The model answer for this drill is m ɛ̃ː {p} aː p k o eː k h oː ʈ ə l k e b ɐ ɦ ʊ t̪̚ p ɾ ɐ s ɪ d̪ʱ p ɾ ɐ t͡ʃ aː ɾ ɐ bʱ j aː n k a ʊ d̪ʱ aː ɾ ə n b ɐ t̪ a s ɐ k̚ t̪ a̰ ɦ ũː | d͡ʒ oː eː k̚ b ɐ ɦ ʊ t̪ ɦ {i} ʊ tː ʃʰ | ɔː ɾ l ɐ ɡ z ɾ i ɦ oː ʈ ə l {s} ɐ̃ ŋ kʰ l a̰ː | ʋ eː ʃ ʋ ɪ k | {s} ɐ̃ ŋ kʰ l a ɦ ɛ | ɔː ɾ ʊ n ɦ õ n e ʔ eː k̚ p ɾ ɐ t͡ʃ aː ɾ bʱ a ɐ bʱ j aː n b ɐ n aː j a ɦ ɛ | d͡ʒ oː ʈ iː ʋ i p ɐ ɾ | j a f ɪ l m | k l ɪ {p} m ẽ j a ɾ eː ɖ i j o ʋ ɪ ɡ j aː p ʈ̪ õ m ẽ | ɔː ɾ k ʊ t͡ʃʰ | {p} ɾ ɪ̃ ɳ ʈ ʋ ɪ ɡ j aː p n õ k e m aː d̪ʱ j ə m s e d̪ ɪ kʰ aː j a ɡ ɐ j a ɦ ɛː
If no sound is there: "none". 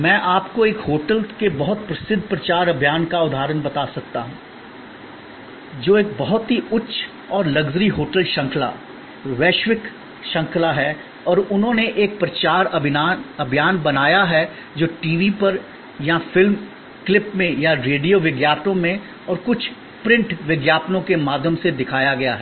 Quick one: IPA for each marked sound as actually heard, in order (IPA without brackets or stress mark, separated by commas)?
ʔ, i, ʃ, ʃ, p, p